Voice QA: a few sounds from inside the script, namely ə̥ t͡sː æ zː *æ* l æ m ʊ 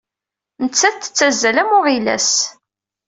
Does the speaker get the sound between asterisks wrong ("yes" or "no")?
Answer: no